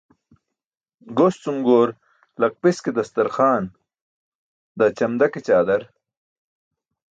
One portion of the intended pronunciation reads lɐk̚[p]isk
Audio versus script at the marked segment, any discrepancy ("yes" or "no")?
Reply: no